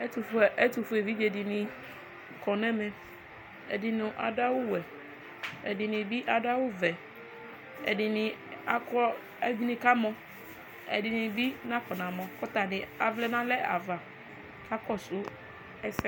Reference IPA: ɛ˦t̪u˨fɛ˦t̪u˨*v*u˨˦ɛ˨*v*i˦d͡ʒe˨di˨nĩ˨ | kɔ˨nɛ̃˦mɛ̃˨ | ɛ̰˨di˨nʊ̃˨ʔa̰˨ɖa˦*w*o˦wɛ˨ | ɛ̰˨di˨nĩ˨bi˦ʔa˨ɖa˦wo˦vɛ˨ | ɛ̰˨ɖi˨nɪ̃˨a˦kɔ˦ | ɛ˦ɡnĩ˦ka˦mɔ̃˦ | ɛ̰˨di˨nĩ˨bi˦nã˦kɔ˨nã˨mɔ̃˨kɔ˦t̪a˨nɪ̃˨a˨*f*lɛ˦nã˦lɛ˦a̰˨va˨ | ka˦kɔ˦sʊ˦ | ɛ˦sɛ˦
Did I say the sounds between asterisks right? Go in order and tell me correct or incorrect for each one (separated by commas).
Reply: incorrect, correct, correct, incorrect